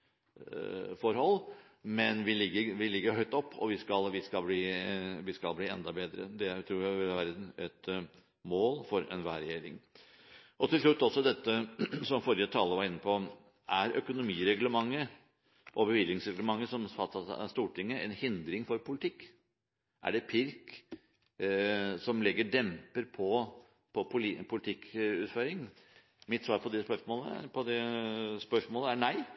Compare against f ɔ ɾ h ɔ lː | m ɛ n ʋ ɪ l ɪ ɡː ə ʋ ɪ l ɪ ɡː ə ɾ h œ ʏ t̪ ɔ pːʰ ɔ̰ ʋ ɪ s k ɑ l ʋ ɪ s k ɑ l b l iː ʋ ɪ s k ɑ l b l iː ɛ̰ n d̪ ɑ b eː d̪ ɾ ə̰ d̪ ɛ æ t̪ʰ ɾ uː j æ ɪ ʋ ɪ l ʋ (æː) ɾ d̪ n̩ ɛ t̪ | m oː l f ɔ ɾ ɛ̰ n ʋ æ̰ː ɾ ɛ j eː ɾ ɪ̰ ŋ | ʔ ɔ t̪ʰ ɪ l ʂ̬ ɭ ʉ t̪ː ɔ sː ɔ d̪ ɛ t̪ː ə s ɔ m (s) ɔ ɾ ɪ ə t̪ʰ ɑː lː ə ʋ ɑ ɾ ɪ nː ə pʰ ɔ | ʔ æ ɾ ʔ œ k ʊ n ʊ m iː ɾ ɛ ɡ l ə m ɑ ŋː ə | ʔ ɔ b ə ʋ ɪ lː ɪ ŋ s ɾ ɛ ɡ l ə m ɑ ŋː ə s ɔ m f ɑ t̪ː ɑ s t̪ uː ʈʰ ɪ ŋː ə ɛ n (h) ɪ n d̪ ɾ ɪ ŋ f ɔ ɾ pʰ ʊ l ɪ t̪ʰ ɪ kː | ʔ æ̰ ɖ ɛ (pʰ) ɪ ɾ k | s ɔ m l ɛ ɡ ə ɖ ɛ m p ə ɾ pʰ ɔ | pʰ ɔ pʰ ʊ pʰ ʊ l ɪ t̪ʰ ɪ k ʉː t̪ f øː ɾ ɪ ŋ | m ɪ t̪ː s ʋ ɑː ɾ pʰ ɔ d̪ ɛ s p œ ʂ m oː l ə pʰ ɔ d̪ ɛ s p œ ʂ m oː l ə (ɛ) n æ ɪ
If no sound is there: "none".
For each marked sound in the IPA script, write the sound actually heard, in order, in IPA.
æ, f, h, pʰ, æ

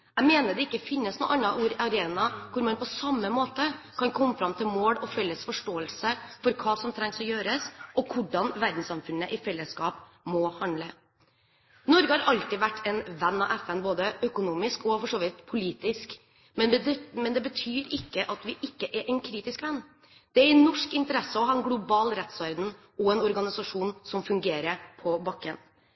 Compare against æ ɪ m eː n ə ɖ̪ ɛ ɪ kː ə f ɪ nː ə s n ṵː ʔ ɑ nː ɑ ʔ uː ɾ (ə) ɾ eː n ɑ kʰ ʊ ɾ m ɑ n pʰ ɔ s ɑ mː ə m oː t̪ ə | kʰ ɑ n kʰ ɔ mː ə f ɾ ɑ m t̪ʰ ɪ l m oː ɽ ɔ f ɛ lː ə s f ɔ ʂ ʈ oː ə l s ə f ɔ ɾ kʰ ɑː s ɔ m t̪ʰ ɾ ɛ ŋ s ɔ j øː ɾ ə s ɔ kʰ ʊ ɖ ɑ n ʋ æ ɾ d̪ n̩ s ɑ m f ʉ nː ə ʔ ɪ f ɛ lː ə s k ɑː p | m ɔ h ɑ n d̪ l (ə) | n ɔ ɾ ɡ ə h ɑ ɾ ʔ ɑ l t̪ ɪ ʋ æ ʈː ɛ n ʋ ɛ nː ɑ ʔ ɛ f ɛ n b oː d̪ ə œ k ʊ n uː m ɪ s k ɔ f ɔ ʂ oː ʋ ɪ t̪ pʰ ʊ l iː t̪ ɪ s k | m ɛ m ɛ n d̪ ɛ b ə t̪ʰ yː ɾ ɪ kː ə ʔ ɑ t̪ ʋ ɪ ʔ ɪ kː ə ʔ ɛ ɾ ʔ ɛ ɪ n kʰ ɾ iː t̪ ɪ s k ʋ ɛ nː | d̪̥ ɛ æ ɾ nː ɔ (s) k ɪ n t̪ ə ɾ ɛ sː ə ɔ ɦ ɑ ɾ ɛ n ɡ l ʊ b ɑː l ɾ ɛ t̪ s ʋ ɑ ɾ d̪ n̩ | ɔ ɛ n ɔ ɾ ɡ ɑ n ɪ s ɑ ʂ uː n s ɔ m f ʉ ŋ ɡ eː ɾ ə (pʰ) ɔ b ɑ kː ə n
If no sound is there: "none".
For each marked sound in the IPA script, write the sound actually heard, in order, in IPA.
ɑ, ə, ʂ, pʰ

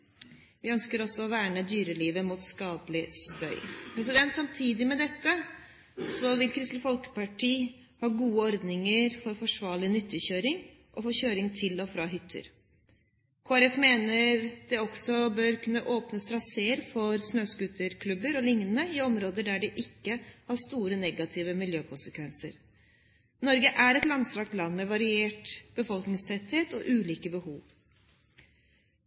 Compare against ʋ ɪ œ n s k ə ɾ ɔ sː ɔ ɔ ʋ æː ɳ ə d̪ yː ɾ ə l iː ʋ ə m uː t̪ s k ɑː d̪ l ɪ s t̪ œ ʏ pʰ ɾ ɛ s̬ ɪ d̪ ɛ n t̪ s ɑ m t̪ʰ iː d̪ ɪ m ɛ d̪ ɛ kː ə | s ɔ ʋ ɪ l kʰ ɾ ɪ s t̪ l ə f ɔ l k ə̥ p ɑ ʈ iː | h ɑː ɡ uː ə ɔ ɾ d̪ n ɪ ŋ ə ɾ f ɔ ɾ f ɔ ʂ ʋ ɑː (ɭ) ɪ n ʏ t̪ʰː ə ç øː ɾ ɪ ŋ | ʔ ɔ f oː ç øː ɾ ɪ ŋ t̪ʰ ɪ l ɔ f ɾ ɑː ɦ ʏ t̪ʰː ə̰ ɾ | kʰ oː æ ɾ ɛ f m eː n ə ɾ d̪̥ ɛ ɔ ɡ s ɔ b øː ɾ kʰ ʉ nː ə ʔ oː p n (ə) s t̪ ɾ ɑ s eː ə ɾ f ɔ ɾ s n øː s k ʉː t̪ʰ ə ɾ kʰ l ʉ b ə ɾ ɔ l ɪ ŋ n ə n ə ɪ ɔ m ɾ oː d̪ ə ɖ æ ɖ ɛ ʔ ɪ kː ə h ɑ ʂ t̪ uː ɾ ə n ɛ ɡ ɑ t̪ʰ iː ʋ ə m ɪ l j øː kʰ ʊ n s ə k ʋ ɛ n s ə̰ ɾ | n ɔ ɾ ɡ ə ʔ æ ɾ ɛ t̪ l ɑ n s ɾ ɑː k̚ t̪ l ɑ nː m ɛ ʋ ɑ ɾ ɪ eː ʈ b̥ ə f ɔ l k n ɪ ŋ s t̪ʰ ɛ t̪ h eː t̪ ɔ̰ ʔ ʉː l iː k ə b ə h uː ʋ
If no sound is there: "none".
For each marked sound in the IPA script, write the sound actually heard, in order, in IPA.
ɭ, ə

